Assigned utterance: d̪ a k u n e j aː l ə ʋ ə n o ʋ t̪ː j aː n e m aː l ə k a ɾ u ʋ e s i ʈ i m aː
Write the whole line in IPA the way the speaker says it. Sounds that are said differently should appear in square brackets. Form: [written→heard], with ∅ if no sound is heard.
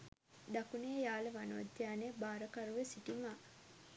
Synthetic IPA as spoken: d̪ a k u n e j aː l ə ʋ [ə→a] n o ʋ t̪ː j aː n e [m→b] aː [l→ɾ] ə k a ɾ u ʋ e s i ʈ i m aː